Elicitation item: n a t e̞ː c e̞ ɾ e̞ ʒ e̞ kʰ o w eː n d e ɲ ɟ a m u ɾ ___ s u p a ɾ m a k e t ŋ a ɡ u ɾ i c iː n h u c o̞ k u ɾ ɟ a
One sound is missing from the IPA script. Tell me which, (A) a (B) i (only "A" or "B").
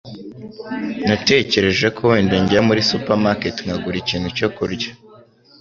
B